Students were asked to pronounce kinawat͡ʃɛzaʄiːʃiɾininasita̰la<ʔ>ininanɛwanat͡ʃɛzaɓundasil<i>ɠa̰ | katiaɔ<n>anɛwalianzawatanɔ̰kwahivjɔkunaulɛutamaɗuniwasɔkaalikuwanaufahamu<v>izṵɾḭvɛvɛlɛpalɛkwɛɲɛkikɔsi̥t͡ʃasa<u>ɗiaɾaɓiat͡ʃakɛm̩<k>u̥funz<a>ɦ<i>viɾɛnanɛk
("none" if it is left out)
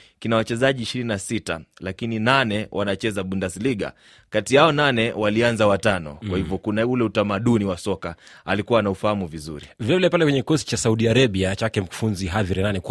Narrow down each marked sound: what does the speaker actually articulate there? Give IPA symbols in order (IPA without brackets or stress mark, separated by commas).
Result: k, i, n, v, u, k, i, a